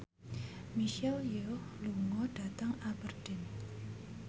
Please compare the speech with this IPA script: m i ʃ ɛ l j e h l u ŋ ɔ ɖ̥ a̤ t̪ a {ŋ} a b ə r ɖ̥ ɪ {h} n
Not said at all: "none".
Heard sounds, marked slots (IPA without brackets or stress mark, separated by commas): ŋ, none